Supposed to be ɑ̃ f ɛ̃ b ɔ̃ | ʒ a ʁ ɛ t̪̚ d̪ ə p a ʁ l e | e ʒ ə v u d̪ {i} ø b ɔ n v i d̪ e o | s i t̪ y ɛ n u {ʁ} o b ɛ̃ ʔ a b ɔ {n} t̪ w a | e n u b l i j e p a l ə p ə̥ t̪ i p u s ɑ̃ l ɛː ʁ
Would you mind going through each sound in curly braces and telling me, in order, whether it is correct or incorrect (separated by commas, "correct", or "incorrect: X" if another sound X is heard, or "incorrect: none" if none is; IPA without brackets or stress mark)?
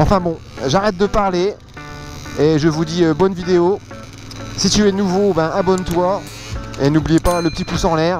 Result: correct, incorrect: v, correct